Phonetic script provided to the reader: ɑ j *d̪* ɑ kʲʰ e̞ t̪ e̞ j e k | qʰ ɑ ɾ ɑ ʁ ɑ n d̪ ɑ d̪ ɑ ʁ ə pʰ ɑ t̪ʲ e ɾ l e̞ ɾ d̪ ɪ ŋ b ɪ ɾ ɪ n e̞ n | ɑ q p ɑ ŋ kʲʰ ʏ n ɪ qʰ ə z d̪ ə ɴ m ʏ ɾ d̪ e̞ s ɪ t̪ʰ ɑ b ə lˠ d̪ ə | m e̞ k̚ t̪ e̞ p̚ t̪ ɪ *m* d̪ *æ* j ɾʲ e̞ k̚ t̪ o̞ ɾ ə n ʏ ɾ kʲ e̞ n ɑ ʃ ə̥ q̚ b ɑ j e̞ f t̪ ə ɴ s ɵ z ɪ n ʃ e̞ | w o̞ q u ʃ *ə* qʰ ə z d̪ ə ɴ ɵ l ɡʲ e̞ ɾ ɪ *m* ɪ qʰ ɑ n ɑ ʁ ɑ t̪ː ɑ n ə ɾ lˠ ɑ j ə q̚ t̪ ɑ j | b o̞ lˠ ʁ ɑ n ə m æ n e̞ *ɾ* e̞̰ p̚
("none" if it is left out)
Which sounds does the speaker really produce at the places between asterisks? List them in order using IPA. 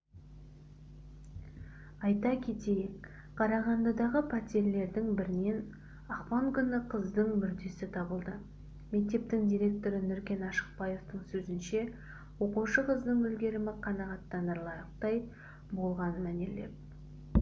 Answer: t̪, ŋ, i, ə, m, l

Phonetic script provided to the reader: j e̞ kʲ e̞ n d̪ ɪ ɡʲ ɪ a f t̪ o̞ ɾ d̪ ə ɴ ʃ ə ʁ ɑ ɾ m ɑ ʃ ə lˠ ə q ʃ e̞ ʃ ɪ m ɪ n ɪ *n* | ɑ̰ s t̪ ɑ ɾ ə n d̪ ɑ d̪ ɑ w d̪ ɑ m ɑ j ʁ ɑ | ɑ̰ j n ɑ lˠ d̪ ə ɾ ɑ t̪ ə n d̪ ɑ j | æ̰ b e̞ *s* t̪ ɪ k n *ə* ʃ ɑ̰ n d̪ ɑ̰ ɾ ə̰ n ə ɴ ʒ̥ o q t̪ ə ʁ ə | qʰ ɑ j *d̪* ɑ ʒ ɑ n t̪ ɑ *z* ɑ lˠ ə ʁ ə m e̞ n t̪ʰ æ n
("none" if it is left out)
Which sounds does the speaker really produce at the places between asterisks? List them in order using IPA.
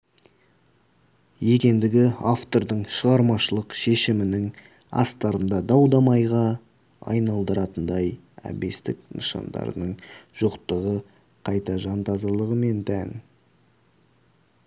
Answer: ŋ, s, ə, t̪, z

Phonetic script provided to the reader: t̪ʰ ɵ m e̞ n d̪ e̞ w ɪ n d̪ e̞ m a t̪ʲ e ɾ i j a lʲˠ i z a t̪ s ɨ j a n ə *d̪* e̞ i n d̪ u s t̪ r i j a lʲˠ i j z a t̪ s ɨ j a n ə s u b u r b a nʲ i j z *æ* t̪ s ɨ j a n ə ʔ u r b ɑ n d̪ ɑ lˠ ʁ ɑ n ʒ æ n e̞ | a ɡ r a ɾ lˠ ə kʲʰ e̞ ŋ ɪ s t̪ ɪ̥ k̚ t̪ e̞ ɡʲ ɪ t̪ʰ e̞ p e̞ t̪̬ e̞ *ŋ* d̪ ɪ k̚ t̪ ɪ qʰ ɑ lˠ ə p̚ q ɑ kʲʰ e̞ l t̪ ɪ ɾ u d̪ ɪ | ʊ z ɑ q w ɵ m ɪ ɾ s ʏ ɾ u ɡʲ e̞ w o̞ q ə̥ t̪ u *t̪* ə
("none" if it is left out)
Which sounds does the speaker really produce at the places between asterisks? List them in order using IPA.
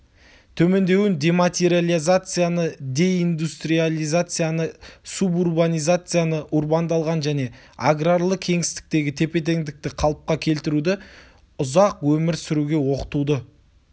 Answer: d̪, a, ŋ, d̪

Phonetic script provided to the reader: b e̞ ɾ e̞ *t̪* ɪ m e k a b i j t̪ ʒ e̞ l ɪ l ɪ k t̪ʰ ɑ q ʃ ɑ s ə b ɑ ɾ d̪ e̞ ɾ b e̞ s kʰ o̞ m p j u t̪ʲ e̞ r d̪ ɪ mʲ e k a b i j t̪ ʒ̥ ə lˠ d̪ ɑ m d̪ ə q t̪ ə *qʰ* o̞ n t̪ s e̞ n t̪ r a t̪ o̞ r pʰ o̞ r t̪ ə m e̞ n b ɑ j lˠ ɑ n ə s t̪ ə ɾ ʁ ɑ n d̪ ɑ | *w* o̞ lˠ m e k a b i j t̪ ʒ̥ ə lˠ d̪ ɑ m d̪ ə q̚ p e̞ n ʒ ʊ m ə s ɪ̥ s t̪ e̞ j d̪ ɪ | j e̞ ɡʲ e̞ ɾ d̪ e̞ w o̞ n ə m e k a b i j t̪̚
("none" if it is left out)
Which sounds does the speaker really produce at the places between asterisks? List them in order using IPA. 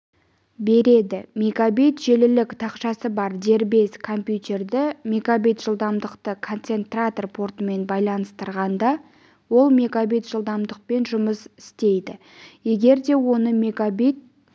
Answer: d̪, kʰ, w

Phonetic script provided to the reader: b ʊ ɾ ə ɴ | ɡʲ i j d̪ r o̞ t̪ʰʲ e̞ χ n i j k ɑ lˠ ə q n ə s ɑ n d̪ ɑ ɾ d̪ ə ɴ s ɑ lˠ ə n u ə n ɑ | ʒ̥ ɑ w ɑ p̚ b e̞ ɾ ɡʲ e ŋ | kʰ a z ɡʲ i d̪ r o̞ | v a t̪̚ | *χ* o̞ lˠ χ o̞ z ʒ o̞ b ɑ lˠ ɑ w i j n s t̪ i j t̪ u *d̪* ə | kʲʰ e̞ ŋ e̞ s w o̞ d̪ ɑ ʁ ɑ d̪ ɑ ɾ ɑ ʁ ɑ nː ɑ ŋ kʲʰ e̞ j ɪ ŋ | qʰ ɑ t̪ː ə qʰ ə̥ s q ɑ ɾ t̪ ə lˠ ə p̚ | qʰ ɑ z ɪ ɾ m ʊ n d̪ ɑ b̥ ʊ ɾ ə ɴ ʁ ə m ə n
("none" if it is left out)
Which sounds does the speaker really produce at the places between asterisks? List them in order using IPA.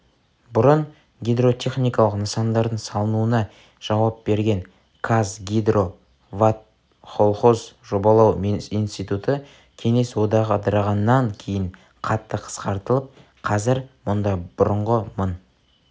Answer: χ, t̪

